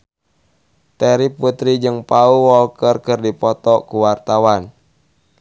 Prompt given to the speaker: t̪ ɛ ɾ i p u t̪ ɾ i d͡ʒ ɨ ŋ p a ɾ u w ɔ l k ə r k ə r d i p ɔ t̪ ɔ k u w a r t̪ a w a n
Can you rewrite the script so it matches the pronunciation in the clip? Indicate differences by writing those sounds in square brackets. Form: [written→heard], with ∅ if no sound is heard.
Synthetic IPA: t̪ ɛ ɾ i p u t̪ ɾ i d͡ʒ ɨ ŋ p a [ɾ→∅] u w ɔ l k ə r k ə r d i p ɔ t̪ ɔ k u w a r t̪ a w a n